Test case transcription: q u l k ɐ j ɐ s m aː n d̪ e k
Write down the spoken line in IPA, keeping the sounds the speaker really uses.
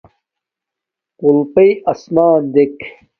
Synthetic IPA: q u l p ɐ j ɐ s m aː n d̪ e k